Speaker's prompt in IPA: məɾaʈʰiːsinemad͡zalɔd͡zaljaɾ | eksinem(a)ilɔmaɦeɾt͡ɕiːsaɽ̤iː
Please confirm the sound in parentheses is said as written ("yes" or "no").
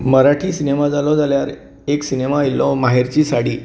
yes